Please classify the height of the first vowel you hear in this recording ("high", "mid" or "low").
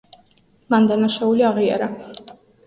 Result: low